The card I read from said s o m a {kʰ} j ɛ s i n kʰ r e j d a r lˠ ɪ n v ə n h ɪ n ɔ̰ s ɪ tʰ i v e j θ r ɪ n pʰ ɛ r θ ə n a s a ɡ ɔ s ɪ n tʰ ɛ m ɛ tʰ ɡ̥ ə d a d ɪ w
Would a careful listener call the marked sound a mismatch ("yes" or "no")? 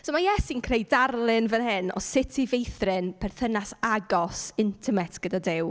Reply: yes